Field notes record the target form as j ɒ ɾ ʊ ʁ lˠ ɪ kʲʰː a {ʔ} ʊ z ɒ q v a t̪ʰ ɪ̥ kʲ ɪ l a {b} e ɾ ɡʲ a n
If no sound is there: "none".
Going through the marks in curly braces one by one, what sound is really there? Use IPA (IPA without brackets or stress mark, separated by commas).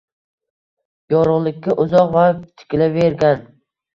ʔ, v